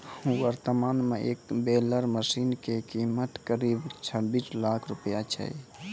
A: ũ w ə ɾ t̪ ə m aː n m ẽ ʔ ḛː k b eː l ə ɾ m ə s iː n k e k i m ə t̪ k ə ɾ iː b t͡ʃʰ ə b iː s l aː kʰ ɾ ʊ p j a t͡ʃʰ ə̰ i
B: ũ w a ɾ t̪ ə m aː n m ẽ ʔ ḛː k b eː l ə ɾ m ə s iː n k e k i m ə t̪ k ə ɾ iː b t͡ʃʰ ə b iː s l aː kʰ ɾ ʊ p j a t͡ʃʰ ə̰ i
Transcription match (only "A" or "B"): A